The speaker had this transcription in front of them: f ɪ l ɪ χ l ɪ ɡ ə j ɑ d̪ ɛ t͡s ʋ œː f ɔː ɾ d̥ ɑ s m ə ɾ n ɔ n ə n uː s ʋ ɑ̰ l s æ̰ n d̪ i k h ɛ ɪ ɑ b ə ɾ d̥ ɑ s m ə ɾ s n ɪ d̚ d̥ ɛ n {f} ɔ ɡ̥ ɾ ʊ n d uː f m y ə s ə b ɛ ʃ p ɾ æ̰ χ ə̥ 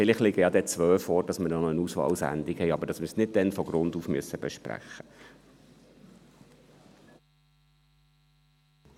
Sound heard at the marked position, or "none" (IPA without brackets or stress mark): f